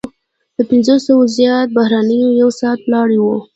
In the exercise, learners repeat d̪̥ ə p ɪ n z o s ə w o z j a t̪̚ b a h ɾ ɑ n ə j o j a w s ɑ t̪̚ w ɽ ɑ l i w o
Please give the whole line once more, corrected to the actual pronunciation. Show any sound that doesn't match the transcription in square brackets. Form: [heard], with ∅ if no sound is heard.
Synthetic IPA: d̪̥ ə p ɪ n z o s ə w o z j [ɑ] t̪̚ b a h ɾ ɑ n ə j o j a w s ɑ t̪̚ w [l] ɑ [ɽ] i w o